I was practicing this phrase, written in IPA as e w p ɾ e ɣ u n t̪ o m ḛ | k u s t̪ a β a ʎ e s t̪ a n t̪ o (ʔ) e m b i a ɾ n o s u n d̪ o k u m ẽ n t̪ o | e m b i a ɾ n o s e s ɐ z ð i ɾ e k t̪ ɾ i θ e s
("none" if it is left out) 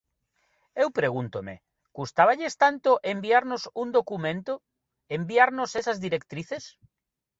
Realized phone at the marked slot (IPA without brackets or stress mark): ʔ